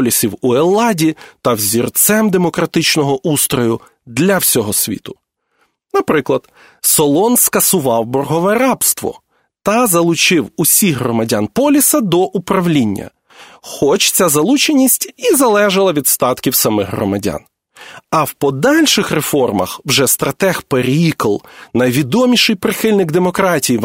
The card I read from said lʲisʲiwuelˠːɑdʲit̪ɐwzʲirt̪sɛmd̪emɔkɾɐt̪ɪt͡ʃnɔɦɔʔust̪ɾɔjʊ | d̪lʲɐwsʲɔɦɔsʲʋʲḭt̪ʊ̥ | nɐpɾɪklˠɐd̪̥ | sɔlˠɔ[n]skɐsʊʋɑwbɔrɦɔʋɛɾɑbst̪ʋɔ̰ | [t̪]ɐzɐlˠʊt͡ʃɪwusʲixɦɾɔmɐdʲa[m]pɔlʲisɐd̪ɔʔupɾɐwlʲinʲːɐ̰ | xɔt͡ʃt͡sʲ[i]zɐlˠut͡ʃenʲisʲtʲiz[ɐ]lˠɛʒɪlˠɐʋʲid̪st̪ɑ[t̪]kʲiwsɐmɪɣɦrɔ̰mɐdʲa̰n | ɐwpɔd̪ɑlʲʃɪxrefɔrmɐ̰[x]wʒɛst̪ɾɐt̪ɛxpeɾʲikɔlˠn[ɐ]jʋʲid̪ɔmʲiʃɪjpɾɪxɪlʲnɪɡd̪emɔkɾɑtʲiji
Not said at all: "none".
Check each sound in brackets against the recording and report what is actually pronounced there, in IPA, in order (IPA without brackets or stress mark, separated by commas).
n, t̪, n, a, ɐ, t̪, x, ɐ